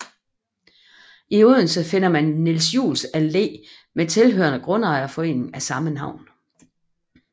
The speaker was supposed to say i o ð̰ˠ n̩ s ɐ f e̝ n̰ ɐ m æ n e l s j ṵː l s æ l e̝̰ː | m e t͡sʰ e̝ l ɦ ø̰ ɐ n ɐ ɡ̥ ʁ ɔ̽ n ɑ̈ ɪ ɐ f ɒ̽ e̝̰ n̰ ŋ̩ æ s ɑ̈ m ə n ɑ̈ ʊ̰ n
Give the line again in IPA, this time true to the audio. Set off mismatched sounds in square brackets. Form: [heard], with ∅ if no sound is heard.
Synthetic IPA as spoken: i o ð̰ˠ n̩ s [ə] f e̝ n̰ ɐ m æ [nː] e l s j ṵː l s æ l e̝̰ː | m e t͡sʰ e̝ l ɦ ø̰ ɐ n [ə] ɡ̥ ʁ ɔ̽ n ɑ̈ ɪ ɐ f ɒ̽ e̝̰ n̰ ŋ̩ æ s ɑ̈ m ə n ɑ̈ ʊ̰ n